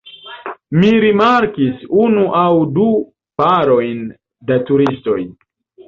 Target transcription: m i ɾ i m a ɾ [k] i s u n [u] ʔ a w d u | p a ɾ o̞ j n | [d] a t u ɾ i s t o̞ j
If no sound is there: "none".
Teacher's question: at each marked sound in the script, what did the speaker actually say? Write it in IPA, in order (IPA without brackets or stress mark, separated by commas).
k, u, d